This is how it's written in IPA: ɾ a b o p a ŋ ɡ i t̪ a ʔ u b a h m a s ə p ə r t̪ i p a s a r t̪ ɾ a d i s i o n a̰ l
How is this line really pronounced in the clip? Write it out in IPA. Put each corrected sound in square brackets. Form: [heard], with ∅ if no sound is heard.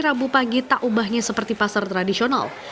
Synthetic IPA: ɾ a b [u] p a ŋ ɡ i t̪ a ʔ u b a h [ɲ] a s ə p ə r t̪ i p a s a r t̪ ɾ a d i s i o n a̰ l